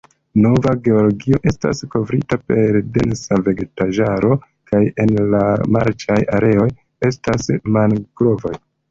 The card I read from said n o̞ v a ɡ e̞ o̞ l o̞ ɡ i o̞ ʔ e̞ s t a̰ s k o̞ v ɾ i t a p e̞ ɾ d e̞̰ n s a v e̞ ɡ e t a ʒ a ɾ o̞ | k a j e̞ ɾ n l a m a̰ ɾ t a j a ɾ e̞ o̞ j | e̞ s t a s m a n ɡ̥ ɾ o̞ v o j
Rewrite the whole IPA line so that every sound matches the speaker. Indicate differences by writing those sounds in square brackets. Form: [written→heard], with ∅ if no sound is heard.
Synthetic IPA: n o̞ v a ɡ e̞ o̞ l o̞ ɡ i o̞ ʔ e̞ s t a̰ s k o̞ v ɾ i t a p e̞ ɾ d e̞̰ n s a v e̞ ɡ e t a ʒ a ɾ o̞ | k a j e̞ [ɾ→∅] n l a m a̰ ɾ [t→t͡ʃ] a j a ɾ e̞ o̞ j | e̞ s t a s m a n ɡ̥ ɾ o̞ v o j

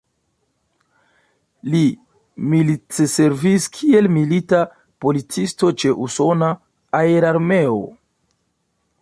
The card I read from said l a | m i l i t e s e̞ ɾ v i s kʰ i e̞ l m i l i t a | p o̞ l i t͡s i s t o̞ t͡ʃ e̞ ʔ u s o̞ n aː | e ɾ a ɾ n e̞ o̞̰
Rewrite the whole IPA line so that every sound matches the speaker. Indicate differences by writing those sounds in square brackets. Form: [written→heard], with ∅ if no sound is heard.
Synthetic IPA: l [a→i] | m i l i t e s e̞ ɾ v i s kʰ i e̞ l m i l i t a | p o̞ l i t͡s i s t o̞ t͡ʃ e̞ ʔ u s o̞ n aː | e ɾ a ɾ [n→m] e̞ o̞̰

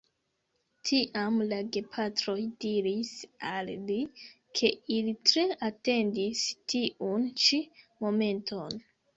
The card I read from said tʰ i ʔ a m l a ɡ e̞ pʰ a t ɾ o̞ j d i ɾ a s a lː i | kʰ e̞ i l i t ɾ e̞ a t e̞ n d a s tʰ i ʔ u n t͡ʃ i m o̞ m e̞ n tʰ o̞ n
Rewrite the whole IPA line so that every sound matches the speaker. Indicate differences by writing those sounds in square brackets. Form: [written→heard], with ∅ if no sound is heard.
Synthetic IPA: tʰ i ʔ a m l a ɡ e̞ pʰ a t ɾ o̞ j d i ɾ [a→i] s a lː i | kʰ e̞ i l i t ɾ e̞ a t e̞ n d [a→i] s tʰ i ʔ u n t͡ʃ i m o̞ m e̞ n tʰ o̞ n

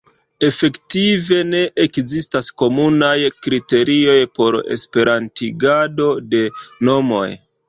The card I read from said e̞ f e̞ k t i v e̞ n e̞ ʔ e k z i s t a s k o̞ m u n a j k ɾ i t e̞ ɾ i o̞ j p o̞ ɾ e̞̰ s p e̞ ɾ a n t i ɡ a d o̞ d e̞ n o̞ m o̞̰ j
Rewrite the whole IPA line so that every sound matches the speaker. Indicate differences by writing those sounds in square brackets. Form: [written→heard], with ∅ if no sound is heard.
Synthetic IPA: e̞ f e̞ k t i v e̞ n e̞ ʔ e k z i s t a s k o̞ m u n a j k ɾ i t e̞ ɾ i o̞ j p o̞ ɾ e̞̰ s p e̞ ɾ a n t i ɡ a d o̞ d e̞ n o̞ m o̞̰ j

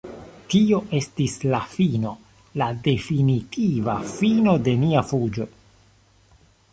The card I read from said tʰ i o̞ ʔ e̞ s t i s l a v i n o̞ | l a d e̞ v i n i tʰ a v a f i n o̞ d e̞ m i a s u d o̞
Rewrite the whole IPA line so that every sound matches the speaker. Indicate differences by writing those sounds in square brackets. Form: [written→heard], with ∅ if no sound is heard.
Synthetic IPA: [tʰ→t] i o̞ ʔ e̞ s t i s l a [v→f] i n o̞ | l a d e̞ [v→f] i n i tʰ [a→i] v a f i n o̞ d e̞ m i a [s→f] u [d→d͡ʒ] o̞

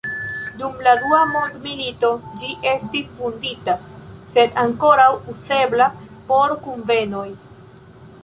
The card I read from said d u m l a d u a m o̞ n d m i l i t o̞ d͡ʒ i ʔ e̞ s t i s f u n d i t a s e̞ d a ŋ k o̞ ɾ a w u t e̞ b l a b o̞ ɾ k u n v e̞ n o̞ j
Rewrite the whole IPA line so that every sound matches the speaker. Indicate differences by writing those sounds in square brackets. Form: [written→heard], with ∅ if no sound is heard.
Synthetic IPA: d u m l a d u a m o̞ n d m i l i t o̞ d͡ʒ i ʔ e̞ s t i s f u n d i t a s e̞ d a ŋ k o̞ ɾ a w u [t→s] e̞ b l a [b→p] o̞ ɾ k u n v e̞ n o̞ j

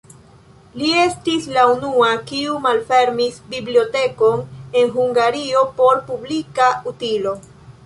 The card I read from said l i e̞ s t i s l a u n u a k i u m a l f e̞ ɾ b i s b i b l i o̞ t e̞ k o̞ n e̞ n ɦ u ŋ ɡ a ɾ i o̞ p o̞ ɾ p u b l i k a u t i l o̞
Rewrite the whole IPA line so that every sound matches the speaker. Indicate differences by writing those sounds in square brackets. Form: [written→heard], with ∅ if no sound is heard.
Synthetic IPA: l i e̞ s t i s l a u n u a k i u m a l f e̞ ɾ [b→m] i s b i b l i o̞ t e̞ k o̞ n e̞ n ɦ u ŋ ɡ a ɾ i o̞ p o̞ ɾ p u b l i k a u t i l o̞

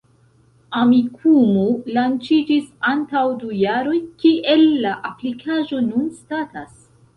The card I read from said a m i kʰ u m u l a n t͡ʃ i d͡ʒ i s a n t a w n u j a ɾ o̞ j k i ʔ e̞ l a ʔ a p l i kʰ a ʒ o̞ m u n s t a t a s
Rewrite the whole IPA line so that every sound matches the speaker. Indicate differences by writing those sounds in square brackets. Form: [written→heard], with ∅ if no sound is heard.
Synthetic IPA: a m i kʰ u m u l a n t͡ʃ i d͡ʒ i s a n t a w [n→d] u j a ɾ o̞ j k i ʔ e̞ [l→lː] a ʔ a p l i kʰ a ʒ o̞ [m→n] u n s t a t a s

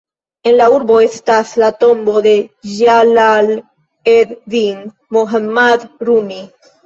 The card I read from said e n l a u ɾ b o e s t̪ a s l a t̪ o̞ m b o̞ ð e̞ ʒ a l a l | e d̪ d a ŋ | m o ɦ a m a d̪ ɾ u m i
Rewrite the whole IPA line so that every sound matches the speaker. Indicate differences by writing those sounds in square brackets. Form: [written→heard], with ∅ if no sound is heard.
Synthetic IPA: e n l a u ɾ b o e s t̪ a s l a t̪ o̞ m b o̞ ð e̞ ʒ a l a l | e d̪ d [a→i] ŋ | m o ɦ a m a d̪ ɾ u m i

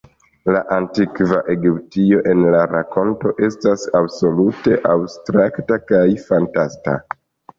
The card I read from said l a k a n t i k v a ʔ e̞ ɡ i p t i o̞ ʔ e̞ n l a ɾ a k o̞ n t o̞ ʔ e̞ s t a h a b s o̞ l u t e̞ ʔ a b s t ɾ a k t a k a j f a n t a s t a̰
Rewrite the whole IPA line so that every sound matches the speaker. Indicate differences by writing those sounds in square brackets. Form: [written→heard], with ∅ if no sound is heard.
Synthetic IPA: l a [k→ʔ] a n t i k v a ʔ e̞ ɡ i p t i o̞ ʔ e̞ n l a ɾ a k o̞ n t o̞ ʔ e̞ s t a [h→s] a b s o̞ l u t e̞ ʔ a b s t ɾ a k t a k a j f a n t a s t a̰

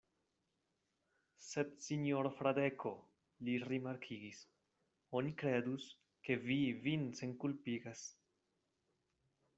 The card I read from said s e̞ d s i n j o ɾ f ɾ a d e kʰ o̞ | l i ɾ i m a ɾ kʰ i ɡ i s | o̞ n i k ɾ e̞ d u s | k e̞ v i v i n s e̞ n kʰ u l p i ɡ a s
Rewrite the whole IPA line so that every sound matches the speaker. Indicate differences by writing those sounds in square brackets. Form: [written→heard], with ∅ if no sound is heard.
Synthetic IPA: s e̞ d s i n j o ɾ f ɾ a d e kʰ o̞ | l i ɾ i m a ɾ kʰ i ɡ i s | o̞ n i k ɾ e̞ d u s | k e̞ v i v i n s e̞ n [kʰ→k] u l p i ɡ a s

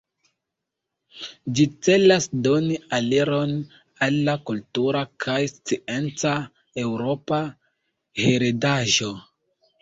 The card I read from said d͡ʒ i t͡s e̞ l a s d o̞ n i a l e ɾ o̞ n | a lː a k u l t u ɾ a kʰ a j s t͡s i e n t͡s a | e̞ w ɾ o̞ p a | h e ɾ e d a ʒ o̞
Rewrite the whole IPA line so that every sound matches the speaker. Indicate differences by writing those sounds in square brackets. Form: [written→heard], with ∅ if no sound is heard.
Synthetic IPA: d͡ʒ i t͡s e̞ l a s d o̞ n i a l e ɾ o̞ n | a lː a k u l t u ɾ a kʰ a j s t͡s i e n t͡s a | e̞ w ɾ o̞ p a | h e ɾ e d a ʒ o̞

